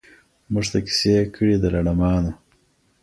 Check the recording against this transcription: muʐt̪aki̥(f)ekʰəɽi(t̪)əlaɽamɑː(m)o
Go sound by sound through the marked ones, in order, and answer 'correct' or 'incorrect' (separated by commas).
incorrect, incorrect, incorrect